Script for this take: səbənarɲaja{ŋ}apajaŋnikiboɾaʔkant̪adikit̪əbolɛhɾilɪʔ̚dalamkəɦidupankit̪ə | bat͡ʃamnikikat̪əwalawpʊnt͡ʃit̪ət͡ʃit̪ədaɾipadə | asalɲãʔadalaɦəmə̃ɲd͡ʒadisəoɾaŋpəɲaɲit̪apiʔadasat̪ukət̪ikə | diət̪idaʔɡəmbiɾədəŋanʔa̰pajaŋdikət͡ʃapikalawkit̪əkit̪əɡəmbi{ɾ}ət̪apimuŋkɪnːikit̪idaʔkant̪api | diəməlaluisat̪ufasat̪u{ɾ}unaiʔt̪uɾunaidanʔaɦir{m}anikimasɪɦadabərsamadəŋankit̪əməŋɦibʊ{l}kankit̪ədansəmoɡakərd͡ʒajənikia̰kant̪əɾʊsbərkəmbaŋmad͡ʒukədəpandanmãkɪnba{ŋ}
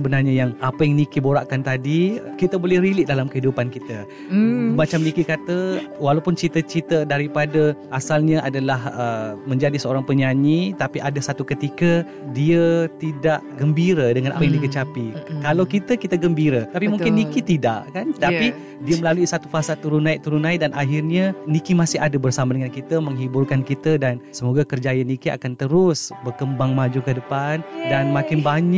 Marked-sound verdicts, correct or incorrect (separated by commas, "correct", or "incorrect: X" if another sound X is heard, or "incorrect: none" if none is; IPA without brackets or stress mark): correct, correct, correct, incorrect: ɲ, incorrect: r, incorrect: ɲ